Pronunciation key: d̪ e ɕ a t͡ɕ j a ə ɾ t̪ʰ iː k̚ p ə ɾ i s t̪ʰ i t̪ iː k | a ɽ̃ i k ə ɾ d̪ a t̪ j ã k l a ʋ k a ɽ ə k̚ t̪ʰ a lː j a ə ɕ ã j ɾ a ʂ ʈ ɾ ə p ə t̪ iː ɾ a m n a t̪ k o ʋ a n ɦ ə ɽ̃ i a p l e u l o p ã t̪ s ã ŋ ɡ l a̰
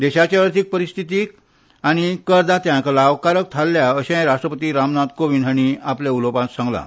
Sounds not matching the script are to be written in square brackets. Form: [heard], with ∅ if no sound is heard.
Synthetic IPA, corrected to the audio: d̪ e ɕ a t͡ɕ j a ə ɾ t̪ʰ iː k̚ p ə ɾ i s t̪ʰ i t̪ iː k | a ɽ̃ i k ə ɾ d̪ a t̪ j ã k l a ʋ k a [ɾ] ə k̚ t̪ʰ a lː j a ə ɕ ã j ɾ a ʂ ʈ ɾ ə p ə t̪ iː ɾ a m n a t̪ k o ʋ [i] n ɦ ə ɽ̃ i a p l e u l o p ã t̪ s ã ŋ ɡ l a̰